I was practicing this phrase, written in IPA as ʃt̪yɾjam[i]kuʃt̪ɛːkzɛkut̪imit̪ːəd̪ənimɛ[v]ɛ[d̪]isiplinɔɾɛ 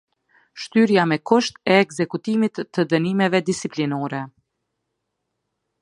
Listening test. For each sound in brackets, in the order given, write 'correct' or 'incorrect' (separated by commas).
incorrect, correct, correct